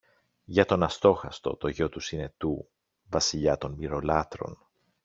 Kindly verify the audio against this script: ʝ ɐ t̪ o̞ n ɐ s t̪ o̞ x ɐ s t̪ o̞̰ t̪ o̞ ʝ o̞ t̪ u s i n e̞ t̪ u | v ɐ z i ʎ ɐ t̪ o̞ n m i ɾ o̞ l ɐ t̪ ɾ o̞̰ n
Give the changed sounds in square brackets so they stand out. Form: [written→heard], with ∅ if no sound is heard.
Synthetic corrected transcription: ʝ ɐ t̪ o̞ n ɐ s t̪ o̞ x ɐ s t̪ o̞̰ t̪ o̞ ʝ o̞ t̪ u s i n e̞ t̪ u | v ɐ [z→s] i ʎ ɐ t̪ o̞ n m i ɾ o̞ l ɐ t̪ ɾ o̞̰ n